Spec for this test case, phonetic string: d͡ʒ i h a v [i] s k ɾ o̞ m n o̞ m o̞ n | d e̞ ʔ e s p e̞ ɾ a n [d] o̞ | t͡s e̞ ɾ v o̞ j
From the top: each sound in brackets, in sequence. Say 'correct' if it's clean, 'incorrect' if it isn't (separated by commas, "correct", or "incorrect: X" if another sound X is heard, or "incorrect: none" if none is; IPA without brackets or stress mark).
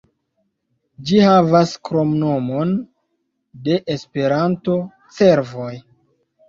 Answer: incorrect: a, incorrect: t